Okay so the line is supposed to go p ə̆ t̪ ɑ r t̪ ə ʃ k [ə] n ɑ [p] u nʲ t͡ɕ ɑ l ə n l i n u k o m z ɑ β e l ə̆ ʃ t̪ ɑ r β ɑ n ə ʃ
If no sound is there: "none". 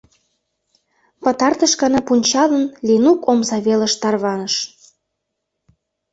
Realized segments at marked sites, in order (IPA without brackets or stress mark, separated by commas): ɑ, p